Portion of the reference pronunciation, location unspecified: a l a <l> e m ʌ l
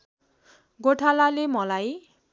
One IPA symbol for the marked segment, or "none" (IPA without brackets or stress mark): l